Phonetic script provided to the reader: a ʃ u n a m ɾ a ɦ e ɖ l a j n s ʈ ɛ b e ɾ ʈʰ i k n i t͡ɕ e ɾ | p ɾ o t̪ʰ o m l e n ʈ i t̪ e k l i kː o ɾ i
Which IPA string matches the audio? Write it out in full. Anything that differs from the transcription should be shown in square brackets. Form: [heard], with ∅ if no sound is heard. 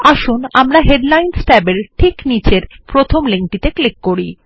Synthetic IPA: a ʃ u n a m ɾ a ɦ e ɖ l a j n s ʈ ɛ b e ɾ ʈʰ i k n i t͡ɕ e ɾ | p ɾ o t̪ʰ o m l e [ŋ] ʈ i t̪ e k l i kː o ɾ i